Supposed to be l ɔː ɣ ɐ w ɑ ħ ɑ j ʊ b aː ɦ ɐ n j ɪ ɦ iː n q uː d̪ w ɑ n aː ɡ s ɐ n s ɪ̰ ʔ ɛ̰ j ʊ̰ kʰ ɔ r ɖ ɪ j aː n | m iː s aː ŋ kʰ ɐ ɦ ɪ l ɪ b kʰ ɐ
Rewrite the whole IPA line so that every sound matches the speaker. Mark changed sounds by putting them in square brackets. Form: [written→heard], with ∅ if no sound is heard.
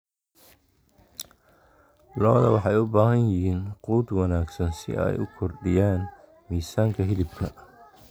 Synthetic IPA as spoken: l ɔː [ɣ→ð] ɐ w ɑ ħ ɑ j ʊ b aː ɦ ɐ n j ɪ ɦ iː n q uː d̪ w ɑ n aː ɡ s ɐ n s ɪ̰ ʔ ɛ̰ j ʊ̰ kʰ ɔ r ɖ ɪ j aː n | m iː s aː ŋ kʰ ɐ ɦ ɪ l ɪ b kʰ ɐ